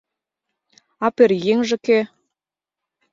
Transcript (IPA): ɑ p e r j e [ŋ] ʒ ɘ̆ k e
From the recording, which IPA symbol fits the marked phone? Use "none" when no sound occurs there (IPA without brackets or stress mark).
ŋ